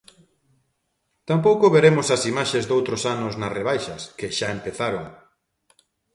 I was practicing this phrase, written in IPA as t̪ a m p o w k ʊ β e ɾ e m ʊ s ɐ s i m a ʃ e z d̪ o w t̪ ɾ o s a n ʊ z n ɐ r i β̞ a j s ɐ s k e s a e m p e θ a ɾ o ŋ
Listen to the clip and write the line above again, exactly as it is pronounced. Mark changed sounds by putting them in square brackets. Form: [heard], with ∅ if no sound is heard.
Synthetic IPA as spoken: t̪ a m p o w k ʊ β e ɾ e m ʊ s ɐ s i m a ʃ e z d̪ o w t̪ ɾ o s a n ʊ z n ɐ r [e] β̞ a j [ʃ] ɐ s k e [ʃ] a e m p e θ a ɾ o ŋ